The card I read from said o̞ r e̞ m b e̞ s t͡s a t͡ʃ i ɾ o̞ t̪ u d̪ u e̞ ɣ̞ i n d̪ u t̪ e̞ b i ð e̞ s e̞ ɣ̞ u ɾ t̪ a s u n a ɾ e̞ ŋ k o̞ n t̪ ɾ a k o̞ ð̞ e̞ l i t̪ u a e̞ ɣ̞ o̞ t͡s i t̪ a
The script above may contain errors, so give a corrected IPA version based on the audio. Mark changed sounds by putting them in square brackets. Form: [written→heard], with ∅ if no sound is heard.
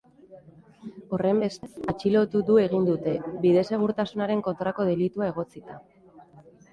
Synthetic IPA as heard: o̞ r e̞ m b e̞ s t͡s a t͡ʃ i [ɾ→l] o̞ t̪ u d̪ u e̞ ɣ̞ i n d̪ u t̪ e̞ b i ð e̞ s e̞ ɣ̞ u ɾ t̪ a s u n a ɾ e̞ ŋ k o̞ n t̪ ɾ a k o̞ ð̞ e̞ l i t̪ u a e̞ ɣ̞ o̞ t͡s i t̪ a

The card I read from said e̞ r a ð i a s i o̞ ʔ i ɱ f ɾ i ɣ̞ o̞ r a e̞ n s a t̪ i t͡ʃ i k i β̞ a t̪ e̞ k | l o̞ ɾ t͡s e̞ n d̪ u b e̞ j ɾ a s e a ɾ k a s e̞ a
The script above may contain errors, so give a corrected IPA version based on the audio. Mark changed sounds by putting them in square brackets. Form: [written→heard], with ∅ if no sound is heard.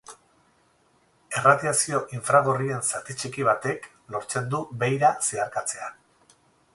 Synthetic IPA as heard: e̞ r a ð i a s i o̞ ʔ i ɱ f ɾ [i→a] ɣ̞ o̞ r [a→i] e̞ n s a t̪ i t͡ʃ i k i β̞ a t̪ e̞ k | l o̞ ɾ t͡s e̞ n d̪ u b e̞ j ɾ a s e a ɾ k a [s→t͡s] e̞ a

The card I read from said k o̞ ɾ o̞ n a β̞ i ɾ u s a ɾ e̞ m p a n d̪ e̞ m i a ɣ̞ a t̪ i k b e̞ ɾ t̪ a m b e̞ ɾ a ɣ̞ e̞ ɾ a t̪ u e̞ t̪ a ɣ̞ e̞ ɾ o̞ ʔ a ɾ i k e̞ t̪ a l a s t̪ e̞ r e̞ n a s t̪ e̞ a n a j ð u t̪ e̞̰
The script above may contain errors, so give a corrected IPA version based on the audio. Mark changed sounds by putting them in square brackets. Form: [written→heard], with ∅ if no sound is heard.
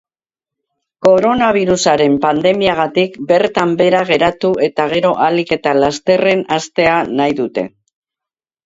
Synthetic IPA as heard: k o̞ ɾ o̞ n a β̞ i ɾ u s a ɾ e̞ m p a n d̪ e̞ m i a ɣ̞ a t̪ i k b e̞ ɾ t̪ a m b e̞ ɾ a ɣ̞ e̞ ɾ a t̪ u e̞ t̪ a ɣ̞ e̞ ɾ o̞ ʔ a [ɾ→l] i k e̞ t̪ a l a s t̪ e̞ r e̞ n a s t̪ e̞ a n a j ð u t̪ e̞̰

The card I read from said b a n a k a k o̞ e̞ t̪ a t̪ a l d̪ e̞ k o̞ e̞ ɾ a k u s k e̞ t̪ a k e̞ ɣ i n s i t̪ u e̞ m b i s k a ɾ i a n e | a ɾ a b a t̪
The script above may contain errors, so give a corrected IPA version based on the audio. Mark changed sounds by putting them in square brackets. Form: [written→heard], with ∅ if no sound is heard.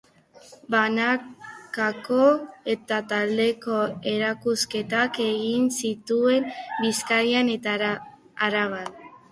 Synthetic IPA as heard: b a n a k a k o̞ e̞ t̪ a t̪ a l d̪ e̞ k o̞ e̞ ɾ a k u s k e̞ t̪ a k e̞ ɣ i n s i t̪ u e̞ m b i s k a ɾ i a n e | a ɾ a [b→β] a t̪

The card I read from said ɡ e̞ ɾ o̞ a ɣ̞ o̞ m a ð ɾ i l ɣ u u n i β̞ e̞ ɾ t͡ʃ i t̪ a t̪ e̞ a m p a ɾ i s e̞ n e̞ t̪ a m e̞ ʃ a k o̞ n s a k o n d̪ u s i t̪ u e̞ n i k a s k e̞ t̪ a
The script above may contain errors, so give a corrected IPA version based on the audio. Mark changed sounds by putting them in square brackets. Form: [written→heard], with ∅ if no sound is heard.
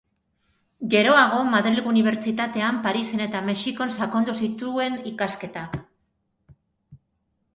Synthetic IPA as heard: ɡ e̞ ɾ o̞ a ɣ̞ o̞ m a ð ɾ i l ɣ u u n i β̞ e̞ ɾ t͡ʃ i t̪ a t̪ e̞ a m p a ɾ i s e̞ n e̞ t̪ a m e̞ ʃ [a→i] k o̞ n s a k o n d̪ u s i t̪ u e̞ n i k a s k e̞ t̪ a

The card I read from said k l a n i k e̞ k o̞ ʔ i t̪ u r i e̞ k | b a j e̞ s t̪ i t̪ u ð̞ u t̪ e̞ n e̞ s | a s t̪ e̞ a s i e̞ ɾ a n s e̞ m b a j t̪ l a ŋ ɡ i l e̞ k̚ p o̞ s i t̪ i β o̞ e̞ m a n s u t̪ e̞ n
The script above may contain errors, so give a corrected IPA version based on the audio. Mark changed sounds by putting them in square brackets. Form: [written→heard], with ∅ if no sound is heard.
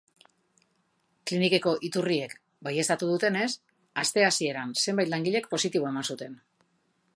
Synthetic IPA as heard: k l [a→i] n i k e̞ k o̞ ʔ i t̪ u r i e̞ k | b a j e̞ s t̪ [i→a] t̪ u ð̞ u t̪ e̞ n e̞ s | a s t̪ e̞ a s i e̞ ɾ a n s e̞ m b a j t̪ l a ŋ ɡ i [l→ʎ] e̞ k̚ p o̞ s i t̪ i β o̞ e̞ m a n s u t̪ e̞ n

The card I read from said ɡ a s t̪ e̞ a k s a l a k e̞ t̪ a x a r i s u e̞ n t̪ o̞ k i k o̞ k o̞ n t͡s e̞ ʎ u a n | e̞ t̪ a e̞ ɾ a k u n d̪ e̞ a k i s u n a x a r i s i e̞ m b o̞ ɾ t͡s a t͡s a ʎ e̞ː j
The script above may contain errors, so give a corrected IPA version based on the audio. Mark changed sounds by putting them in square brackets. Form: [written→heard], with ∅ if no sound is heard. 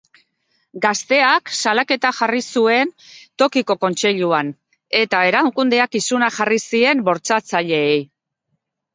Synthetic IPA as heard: ɡ a s t̪ e̞ a k s a l a k e̞ t̪ a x a r i s u e̞ n t̪ o̞ k i k o̞ k o̞ n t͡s e̞ ʎ u a n | e̞ t̪ a e̞ ɾ a k u n d̪ e̞ a k i s u n a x a r i s i e̞ m b o̞ ɾ t͡s a t͡s a ʎ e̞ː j

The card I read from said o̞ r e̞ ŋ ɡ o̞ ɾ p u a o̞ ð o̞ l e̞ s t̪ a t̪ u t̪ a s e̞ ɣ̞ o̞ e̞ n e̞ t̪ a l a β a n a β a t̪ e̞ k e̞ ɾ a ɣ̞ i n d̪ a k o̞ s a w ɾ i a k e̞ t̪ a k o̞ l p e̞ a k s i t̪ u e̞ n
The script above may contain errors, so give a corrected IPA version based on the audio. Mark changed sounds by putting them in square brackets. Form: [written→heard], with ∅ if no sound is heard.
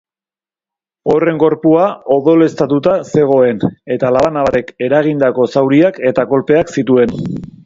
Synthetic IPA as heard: o̞ r e̞ ŋ ɡ o̞ ɾ p u a o̞ ð o̞ l e̞ s t̪ a t̪ u t̪ a s e̞ ɣ̞ o̞ e̞ n e̞ t̪ a l a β a n a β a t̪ e̞ k e̞ ɾ a ɣ̞ i n d̪ a k o̞ s a w ɾ i a k e̞ t̪ a k o̞ l p e̞ a k s i t̪ u e̞ n

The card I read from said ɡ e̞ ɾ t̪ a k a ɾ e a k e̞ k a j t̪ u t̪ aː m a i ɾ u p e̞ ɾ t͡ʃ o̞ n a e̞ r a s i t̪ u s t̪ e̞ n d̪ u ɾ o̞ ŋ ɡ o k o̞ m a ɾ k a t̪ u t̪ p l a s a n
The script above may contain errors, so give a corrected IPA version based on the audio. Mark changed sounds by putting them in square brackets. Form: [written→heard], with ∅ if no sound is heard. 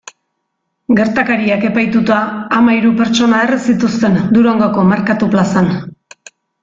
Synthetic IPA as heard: ɡ e̞ ɾ t̪ a k a ɾ [e→i] a k e̞ [k→p] a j t̪ u t̪ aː m a i ɾ u p e̞ ɾ t͡ʃ o̞ n a e̞ r [a→e] s i t̪ u s t̪ e̞ n d̪ u ɾ o̞ ŋ ɡ o k o̞ m a ɾ k a t̪ u [t̪→∅] p l a s a n

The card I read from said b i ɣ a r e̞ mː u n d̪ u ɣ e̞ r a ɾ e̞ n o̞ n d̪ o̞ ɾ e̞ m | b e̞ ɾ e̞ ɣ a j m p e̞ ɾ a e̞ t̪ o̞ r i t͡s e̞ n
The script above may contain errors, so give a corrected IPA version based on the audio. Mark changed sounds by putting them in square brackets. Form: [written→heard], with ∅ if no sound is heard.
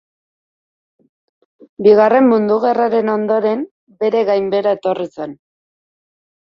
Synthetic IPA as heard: b i ɣ a r e̞ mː u n d̪ u ɣ e̞ r a ɾ e̞ n o̞ n d̪ o̞ ɾ e̞ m | b e̞ ɾ e̞ ɣ a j m [p→b] e̞ ɾ a e̞ t̪ o̞ r i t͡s e̞ n

